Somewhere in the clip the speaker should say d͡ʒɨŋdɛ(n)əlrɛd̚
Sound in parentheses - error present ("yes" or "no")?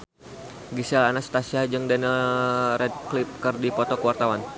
no